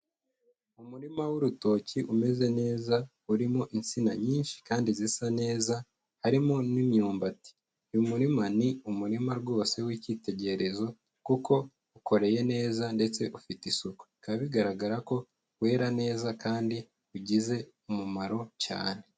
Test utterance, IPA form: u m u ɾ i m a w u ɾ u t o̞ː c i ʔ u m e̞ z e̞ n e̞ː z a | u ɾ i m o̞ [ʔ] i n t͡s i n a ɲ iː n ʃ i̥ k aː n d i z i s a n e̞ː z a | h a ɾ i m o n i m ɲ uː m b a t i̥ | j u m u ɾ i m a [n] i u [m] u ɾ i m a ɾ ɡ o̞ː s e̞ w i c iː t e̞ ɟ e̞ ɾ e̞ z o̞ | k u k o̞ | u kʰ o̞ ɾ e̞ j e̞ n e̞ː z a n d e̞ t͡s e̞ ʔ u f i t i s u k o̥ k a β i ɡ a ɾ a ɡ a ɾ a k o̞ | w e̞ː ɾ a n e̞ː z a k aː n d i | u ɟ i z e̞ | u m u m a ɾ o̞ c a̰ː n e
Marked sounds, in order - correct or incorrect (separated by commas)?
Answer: correct, correct, correct